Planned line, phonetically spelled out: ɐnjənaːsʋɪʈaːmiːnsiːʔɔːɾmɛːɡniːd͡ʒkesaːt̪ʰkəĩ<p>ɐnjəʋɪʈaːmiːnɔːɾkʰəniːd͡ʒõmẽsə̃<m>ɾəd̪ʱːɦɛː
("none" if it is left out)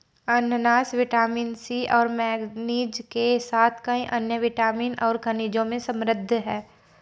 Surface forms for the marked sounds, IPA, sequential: ʔ, m

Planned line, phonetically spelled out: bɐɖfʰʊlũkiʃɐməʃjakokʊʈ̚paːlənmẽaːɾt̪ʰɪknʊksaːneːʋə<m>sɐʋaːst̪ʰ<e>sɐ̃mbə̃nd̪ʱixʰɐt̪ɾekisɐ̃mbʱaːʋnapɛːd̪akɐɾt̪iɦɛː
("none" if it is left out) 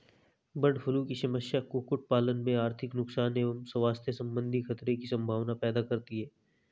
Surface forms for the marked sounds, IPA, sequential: m, e

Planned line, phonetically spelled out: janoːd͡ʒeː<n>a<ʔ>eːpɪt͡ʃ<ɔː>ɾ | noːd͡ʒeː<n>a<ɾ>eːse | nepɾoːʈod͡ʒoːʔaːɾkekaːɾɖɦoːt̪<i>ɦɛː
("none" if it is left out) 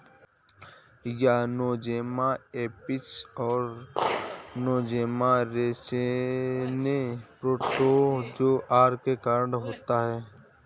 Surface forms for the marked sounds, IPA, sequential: m, none, ɔː, m, ɾ, a

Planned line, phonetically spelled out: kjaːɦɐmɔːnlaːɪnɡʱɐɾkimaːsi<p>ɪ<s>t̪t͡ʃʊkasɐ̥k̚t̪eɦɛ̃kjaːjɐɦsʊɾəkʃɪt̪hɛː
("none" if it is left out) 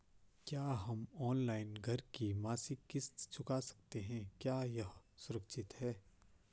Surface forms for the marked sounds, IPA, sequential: k, s

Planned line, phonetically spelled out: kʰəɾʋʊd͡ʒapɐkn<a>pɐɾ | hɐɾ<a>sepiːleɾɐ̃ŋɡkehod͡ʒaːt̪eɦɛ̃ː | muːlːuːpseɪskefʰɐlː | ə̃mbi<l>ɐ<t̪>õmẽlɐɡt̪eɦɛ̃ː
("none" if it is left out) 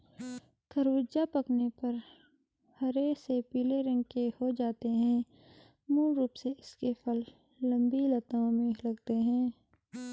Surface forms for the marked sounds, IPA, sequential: e, e, l, t̪

